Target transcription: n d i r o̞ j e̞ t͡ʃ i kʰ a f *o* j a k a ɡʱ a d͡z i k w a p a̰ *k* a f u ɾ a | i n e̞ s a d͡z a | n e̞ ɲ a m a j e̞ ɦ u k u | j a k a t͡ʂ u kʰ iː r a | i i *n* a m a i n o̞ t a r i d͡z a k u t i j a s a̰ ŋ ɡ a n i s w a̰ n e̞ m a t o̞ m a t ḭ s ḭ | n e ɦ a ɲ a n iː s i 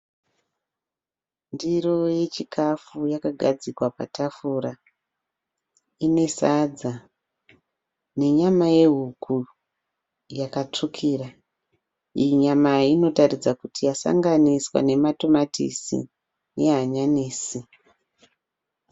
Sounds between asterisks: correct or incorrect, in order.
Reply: incorrect: u, incorrect: t, incorrect: ɲ

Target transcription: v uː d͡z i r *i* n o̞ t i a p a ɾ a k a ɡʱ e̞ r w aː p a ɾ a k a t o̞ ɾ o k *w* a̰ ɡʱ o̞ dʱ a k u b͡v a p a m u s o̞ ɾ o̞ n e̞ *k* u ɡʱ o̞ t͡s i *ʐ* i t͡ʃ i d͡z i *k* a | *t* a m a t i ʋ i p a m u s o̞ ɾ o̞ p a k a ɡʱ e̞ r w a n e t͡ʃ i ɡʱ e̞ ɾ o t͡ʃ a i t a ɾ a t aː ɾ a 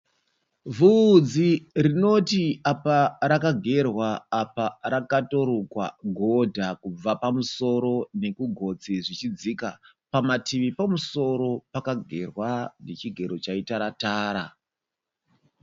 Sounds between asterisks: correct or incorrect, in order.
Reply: correct, correct, correct, correct, correct, incorrect: p

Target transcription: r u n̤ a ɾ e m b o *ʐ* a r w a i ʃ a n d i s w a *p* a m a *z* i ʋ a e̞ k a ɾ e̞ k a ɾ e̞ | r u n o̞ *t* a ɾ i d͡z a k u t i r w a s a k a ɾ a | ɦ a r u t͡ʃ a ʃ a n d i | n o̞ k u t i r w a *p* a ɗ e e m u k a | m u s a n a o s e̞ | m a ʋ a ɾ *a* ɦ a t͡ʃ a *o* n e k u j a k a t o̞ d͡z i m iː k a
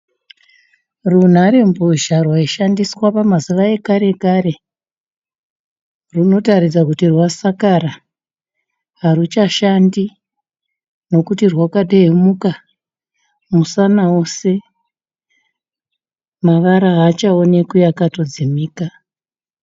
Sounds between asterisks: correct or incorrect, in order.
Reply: incorrect: ʒ, correct, correct, correct, incorrect: k, correct, correct

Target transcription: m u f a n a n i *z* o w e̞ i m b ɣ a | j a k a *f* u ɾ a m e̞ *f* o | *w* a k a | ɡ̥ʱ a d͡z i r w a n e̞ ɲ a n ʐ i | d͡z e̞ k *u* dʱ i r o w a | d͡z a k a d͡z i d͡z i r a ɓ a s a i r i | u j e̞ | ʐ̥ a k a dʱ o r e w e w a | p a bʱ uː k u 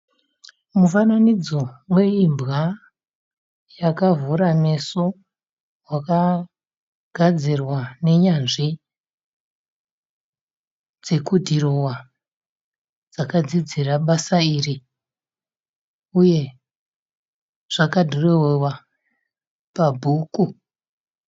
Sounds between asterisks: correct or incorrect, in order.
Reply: incorrect: d͡z, incorrect: v, incorrect: s, correct, correct

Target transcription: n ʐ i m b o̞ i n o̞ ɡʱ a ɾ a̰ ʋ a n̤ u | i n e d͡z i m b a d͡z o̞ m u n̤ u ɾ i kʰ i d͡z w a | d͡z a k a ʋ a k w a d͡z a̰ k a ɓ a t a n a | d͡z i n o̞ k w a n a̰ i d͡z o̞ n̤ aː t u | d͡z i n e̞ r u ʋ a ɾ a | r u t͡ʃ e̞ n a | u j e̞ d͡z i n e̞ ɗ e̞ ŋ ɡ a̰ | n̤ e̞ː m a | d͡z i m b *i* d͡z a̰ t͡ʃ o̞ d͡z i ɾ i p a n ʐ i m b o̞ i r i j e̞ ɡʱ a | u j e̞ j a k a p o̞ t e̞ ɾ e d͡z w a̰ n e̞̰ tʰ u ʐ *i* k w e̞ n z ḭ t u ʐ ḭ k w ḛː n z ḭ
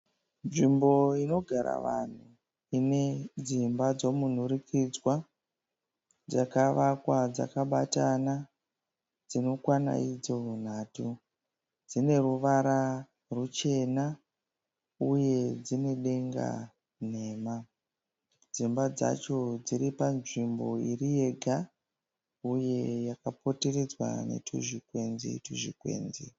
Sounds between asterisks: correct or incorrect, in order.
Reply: incorrect: a, correct

